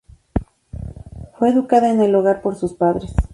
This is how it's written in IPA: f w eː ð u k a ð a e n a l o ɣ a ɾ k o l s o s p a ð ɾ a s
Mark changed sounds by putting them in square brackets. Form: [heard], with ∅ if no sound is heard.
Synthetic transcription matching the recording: f w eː ð u k a ð a e n [e] l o ɣ a ɾ [p] o [ɾ] s [u] s p a ð ɾ [e] s

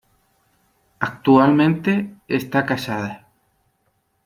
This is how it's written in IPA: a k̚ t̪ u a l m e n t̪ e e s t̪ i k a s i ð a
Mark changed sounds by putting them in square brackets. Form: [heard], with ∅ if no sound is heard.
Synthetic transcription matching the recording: a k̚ t̪ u a l m [ẽ] n t̪ e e s t̪ [a] k a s [a] ð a

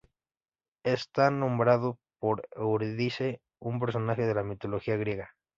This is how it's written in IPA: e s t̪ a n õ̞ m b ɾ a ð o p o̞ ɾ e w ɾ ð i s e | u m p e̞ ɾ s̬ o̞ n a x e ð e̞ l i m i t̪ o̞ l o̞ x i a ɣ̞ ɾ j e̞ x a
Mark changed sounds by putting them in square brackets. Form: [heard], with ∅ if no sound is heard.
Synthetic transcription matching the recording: e s t̪ a n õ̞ m b ɾ a ð o p o̞ ɾ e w ɾ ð i s e | u m p e̞ ɾ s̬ o̞ n a x e ð e̞ l [a] m i t̪ o̞ l o̞ x i a ɣ̞ ɾ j e̞ [ɣ] a

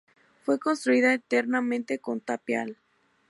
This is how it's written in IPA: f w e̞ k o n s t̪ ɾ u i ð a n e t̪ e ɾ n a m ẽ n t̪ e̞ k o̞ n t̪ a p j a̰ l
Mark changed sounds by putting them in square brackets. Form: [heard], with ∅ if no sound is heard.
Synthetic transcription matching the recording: f w e̞ k o n s t̪ ɾ u i ð a [∅] e t̪ e ɾ n a m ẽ n t̪ e̞ k o̞ n t̪ a p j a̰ l

